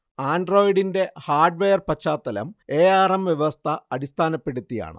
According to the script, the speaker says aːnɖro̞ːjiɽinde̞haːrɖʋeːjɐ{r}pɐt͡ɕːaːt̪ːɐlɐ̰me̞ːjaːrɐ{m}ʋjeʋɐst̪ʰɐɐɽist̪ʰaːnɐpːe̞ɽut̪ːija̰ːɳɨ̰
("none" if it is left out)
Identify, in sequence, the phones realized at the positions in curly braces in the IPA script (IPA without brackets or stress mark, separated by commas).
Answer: r, m